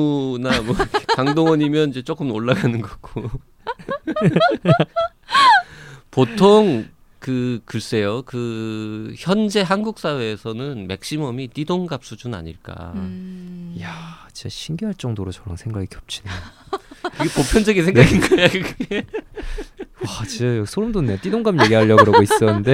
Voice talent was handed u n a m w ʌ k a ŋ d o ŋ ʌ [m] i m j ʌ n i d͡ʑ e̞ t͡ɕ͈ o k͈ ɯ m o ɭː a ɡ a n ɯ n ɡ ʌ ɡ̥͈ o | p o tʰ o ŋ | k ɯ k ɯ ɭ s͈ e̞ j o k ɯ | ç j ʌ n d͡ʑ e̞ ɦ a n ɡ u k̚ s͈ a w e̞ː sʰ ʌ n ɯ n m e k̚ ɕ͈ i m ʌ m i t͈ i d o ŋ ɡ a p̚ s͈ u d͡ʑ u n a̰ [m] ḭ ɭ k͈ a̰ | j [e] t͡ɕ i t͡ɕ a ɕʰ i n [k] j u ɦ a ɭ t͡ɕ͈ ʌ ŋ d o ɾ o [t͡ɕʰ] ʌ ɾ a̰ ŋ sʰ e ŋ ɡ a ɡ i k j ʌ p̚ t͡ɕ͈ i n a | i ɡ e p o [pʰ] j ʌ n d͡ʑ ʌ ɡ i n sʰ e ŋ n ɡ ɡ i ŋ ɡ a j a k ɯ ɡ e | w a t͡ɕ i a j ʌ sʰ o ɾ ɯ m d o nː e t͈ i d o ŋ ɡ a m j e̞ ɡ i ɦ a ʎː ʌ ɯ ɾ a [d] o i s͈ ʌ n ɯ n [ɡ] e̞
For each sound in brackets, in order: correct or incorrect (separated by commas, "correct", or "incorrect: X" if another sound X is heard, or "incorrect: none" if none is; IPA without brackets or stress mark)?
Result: incorrect: ɲ, incorrect: ɲ, incorrect: a, incorrect: ɡ, incorrect: t͡ɕ, correct, incorrect: ɡ, incorrect: d